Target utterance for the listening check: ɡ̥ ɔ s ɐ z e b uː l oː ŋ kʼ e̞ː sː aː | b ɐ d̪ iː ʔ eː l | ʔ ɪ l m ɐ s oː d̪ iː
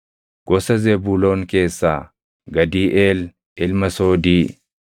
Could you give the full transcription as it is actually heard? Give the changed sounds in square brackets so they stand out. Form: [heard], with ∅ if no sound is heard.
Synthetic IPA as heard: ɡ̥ ɔ s ɐ z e b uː l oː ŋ [k] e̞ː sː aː | [ɡ] ɐ d̪ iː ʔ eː l | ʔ ɪ l m ɐ s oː d̪ iː